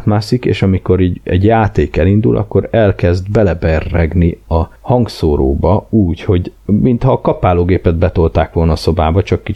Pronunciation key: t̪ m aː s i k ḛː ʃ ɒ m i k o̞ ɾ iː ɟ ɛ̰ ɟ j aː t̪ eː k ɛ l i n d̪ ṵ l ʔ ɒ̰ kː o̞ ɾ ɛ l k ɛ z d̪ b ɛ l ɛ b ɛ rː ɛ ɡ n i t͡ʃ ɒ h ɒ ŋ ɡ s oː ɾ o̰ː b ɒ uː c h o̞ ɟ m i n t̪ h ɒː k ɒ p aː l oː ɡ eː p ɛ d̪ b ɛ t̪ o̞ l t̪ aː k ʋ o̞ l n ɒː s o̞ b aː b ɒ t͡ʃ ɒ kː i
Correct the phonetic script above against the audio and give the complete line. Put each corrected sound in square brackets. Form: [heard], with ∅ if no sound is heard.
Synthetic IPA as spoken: t̪ m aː s i k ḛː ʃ ɒ m i k o̞ ɾ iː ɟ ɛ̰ ɟ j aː t̪ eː k ɛ l i n d̪ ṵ l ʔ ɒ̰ kː o̞ ɾ ɛ l k ɛ z d̪ b ɛ l ɛ b ɛ rː ɛ ɡ n i [∅] ɒ h ɒ ŋ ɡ s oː ɾ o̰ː b ɒ uː c h o̞ ɟ m i n t̪ h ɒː k ɒ p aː l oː ɡ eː p ɛ d̪ b ɛ t̪ o̞ l t̪ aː k ʋ o̞ l n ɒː s o̞ b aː b ɒ t͡ʃ ɒ kː i